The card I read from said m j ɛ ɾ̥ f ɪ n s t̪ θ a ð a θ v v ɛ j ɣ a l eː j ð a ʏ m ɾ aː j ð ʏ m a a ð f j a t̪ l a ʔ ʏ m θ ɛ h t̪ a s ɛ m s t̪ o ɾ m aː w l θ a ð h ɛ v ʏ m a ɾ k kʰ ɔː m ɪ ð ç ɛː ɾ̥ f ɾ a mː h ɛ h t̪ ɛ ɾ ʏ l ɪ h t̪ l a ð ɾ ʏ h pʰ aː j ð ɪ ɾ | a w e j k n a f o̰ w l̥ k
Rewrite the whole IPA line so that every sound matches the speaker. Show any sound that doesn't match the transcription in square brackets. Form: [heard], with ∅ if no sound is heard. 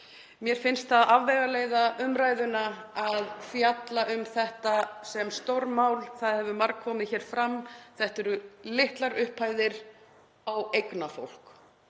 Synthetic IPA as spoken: m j ɛ ɾ̥ f ɪ n s t̪ θ a ð a [∅] v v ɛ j ɣ a l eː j ð a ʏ m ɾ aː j ð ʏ [n] a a ð f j a t̪ l a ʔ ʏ m θ ɛ h t̪ a s ɛ m s t̪ o ɾ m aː w l θ a ð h ɛ v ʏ m a ɾ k kʰ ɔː m ɪ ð ç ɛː ɾ̥ f ɾ a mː [θ] ɛ h t̪ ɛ ɾ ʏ l ɪ h t̪ l a [∅] ɾ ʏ h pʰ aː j ð ɪ ɾ | a w e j k n a f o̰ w l̥ k

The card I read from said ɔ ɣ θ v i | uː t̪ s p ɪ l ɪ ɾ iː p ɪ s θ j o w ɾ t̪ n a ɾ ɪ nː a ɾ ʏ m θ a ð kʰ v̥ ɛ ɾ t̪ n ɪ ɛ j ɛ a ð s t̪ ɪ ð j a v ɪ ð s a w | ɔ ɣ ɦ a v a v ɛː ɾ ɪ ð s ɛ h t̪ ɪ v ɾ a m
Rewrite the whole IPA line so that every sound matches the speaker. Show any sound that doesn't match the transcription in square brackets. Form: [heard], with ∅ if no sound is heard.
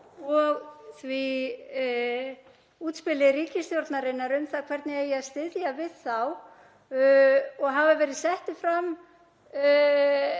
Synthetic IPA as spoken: ɔ ɣ θ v i | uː t̪ s p ɪ l ɪ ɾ iː [c] ɪ s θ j o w ɾ t̪ n a ɾ ɪ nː a ɾ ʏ m θ a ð kʰ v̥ ɛ ɾ t̪ n ɪ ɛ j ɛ a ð s t̪ ɪ ð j a v ɪ ð [θ] a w | ɔ ɣ ɦ a v a v ɛː ɾ ɪ ð s ɛ h t̪ ɪ [f] ɾ a m

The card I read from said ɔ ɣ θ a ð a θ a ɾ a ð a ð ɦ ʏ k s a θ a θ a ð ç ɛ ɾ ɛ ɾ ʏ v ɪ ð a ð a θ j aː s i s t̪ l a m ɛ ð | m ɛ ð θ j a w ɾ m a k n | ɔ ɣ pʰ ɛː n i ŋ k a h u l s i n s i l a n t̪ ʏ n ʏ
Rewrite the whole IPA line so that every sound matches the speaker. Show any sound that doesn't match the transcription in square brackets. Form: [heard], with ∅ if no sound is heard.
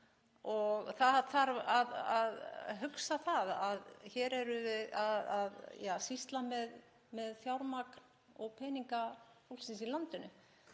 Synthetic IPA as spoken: ɔ ɣ θ a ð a θ a ɾ a ð a ð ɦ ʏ k s a θ a [ð] a ð ç ɛ ɾ ɛ ɾ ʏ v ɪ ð a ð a [ð] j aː s i s t̪ l a m ɛ ð | m ɛ ð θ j a w ɾ m a k n | ɔ ɣ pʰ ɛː n i ŋ k a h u l s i n s i l a n t̪ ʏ n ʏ

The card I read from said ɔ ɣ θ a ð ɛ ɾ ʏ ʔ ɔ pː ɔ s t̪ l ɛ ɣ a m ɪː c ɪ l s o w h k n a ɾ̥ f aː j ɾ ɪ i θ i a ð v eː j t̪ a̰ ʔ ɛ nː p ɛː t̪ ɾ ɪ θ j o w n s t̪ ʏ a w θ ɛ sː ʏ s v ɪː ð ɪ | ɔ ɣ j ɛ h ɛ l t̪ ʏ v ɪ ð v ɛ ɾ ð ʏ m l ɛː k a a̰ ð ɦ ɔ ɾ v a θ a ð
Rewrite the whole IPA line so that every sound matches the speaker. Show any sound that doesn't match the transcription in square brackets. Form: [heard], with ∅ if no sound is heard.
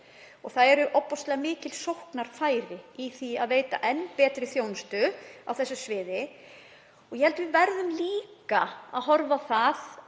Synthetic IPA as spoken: ɔ ɣ θ a ð ɛ ɾ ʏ ʔ ɔ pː ɔ s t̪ l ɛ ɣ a m ɪː c ɪ l s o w h k n a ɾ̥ f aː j ɾ ɪ i θ i a ð v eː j t̪ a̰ ʔ ɛ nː p ɛː t̪ ɾ ɪ θ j o w n s t̪ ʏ a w θ ɛ sː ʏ s v ɪː ð ɪ | ɔ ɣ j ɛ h ɛ l t̪ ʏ v ɪ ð v ɛ ɾ ð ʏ m l [iː] k a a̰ ð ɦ ɔ ɾ v a θ a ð

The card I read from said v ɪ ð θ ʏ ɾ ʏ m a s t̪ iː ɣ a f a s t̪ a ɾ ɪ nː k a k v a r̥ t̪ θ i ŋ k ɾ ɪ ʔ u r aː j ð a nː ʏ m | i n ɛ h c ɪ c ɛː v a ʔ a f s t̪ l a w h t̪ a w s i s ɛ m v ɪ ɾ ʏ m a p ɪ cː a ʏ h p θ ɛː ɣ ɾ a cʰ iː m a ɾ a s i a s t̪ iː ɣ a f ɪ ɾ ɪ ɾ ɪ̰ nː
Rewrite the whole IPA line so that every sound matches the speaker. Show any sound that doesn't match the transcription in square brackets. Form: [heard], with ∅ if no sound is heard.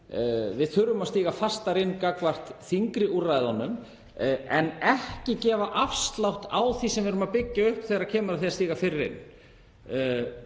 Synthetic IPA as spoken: v ɪ ð θ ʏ ɾ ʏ m a s t̪ iː ɣ a f a s t̪ a ɾ ɪ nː k a k v a r̥ t̪ θ i ŋ k ɾ ɪ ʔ u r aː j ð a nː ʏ m | [ɛ] n ɛ h c ɪ c ɛː v a ʔ a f s t̪ l a w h t̪ a w [θ] i s ɛ m v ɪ ɾ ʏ m a p ɪ cː a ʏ h p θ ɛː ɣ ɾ a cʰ [ɛː] m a ɾ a [θ] i a s t̪ iː ɣ a f ɪ ɾ ɪ ɾ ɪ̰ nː

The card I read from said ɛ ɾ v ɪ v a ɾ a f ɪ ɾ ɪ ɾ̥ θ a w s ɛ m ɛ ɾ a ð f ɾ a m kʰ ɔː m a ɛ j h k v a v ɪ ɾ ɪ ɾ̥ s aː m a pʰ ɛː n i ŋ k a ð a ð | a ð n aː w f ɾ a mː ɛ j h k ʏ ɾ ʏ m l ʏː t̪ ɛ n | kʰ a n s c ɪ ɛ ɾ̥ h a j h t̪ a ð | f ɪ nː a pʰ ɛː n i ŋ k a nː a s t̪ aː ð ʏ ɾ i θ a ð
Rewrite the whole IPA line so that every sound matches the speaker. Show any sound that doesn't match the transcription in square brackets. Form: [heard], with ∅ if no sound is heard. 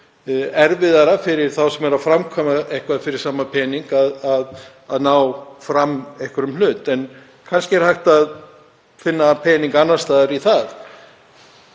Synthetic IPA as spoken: ɛ ɾ v ɪ [ð] a ɾ a f ɪ ɾ ɪ ɾ̥ θ a w s ɛ m ɛ ɾ a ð f ɾ a m kʰ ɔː m a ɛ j h k v a [f] ɪ ɾ ɪ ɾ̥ s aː m a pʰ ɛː n i ŋ k a ð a ð | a ð n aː w f ɾ a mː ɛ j h k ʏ ɾ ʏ m l ʏː t̪ ɛ n | kʰ a n s c ɪ ɛ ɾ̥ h a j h t̪ a ð | f ɪ nː a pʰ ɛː n i ŋ k a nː a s t̪ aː ð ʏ ɾ i θ a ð

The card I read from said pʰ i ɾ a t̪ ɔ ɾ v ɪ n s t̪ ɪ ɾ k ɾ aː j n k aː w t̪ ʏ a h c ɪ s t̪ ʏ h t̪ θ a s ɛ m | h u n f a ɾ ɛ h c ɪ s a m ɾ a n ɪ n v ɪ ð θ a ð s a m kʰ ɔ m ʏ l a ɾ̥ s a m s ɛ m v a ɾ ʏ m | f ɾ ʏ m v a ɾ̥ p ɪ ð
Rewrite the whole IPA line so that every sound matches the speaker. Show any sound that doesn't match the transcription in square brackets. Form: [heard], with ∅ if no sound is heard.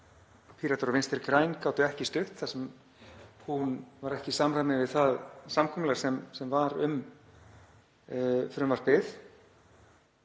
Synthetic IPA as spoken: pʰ i ɾ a t̪ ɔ ɾ v ɪ n s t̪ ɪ ɾ k ɾ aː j n k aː w t̪ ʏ [ɛ] h c ɪ s t̪ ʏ h t̪ θ a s ɛ m | h u n [v] a ɾ ɛ h c ɪ s a m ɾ a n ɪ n v ɪ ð θ a ð s a m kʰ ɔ m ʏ l a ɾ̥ s [ɛ] m s ɛ m v a ɾ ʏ m | f ɾ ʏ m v a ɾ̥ p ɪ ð

